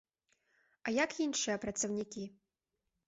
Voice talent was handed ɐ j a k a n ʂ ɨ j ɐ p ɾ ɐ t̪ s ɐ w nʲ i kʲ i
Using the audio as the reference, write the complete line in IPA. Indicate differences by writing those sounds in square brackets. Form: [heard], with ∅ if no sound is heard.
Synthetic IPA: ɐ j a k [i] n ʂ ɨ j ɐ p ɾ ɐ t̪ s ɐ w nʲ i kʲ i